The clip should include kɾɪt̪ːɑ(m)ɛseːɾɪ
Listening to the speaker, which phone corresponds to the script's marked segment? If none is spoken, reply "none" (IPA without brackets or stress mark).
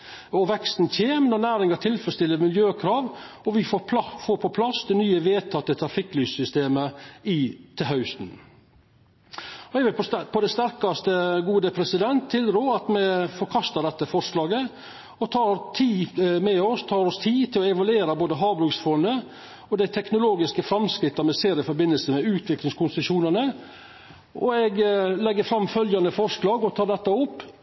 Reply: m